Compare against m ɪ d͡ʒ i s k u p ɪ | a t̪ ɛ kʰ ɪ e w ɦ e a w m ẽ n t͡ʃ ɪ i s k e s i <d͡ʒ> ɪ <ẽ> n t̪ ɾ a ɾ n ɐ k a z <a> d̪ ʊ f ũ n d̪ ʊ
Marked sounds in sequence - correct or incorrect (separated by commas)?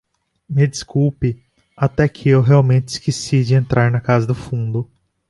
correct, correct, incorrect